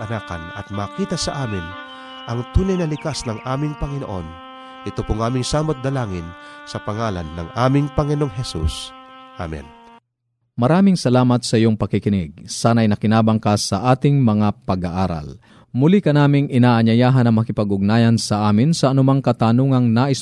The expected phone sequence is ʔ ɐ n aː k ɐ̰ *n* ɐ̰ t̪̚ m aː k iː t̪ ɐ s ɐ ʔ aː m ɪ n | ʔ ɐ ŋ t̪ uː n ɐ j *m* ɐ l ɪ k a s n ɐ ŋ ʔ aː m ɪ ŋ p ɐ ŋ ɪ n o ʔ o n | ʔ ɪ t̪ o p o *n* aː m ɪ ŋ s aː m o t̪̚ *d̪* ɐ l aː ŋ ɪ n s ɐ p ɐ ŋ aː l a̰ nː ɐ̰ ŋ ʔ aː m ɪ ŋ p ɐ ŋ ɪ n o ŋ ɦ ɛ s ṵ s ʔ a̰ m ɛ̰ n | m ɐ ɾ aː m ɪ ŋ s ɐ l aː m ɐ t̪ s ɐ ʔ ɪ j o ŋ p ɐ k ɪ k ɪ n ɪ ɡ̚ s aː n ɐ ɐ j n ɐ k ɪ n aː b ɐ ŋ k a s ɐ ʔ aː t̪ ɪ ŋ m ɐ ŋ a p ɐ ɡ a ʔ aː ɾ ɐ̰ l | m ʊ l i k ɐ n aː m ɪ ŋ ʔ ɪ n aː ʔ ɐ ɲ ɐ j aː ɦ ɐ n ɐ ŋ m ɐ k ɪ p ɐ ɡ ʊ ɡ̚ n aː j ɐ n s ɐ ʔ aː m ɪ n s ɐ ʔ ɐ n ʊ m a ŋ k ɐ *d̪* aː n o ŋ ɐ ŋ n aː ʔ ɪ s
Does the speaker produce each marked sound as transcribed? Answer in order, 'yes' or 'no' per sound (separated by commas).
yes, no, no, yes, no